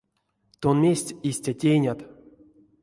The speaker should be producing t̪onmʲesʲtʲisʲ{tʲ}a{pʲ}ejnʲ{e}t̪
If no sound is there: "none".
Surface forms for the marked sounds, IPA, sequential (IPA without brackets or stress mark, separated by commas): tʲ, tʲ, a